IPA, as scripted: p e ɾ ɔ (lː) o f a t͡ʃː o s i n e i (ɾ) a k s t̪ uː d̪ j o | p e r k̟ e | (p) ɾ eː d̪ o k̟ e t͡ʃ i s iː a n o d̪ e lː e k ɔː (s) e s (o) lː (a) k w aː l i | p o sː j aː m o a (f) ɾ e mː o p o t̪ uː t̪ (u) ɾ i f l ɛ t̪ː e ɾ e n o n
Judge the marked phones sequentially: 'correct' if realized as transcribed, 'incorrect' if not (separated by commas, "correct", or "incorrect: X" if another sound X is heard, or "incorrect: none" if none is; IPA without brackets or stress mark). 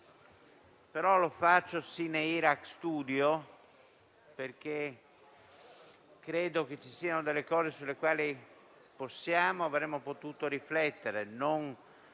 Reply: incorrect: l, correct, incorrect: k, incorrect: z, incorrect: u, incorrect: e, incorrect: v, incorrect: o